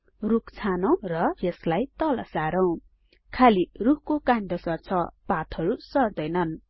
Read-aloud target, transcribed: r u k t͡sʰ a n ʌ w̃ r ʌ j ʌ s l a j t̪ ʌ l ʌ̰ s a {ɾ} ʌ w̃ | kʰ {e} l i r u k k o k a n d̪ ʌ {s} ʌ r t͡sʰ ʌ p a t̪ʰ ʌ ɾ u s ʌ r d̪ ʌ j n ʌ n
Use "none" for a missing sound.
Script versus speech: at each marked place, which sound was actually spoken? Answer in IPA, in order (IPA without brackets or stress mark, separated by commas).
ɾ, a, s